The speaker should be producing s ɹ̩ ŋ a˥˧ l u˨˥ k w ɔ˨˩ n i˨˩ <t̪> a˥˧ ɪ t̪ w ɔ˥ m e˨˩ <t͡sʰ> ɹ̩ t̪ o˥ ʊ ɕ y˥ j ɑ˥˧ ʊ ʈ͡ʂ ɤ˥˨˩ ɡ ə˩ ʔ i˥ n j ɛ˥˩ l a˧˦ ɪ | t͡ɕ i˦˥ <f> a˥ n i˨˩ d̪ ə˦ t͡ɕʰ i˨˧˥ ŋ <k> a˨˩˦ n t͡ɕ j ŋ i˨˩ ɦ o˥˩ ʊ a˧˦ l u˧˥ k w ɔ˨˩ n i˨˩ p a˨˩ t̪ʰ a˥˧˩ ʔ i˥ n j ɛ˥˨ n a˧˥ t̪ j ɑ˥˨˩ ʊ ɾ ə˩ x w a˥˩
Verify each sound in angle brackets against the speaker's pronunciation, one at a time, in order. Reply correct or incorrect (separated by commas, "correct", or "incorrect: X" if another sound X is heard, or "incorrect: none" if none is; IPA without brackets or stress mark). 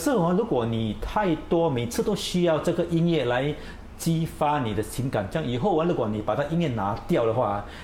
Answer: incorrect: t̪ʰ, correct, correct, correct